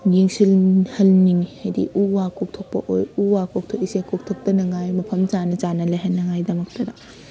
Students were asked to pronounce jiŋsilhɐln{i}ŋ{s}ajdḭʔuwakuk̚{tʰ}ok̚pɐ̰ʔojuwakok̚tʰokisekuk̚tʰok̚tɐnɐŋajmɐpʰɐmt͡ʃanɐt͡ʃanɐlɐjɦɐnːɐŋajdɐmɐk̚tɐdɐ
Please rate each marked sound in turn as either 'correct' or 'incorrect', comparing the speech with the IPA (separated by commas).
correct, incorrect, correct